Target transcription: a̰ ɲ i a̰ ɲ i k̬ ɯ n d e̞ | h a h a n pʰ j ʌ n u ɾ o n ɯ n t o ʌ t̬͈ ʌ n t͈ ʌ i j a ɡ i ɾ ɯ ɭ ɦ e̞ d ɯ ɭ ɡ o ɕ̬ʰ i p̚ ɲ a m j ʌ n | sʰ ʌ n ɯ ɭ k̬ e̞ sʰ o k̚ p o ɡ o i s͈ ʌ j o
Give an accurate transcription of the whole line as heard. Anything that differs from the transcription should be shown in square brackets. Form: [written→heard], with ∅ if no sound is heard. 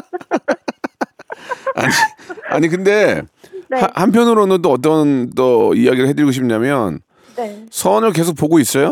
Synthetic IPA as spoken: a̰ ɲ i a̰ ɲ i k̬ ɯ n d e̞ | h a h a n pʰ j ʌ n [u→ɯ] ɾ o n ɯ n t o ʌ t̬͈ ʌ n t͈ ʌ i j a ɡ i ɾ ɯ ɭ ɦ e̞ d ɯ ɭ ɡ o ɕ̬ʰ i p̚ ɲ a m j ʌ n | sʰ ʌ n ɯ ɭ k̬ e̞ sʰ o k̚ p o ɡ o i s͈ ʌ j o